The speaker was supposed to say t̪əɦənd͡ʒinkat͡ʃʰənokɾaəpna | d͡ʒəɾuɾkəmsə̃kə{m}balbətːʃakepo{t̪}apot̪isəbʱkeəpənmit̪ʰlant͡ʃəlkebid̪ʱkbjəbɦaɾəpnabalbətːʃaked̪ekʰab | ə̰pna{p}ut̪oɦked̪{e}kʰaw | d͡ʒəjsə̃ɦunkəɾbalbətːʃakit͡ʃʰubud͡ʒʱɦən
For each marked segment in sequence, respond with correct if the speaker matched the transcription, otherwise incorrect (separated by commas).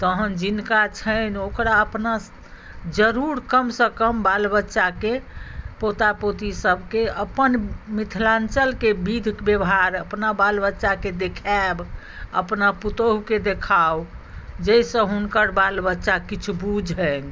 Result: correct, correct, correct, correct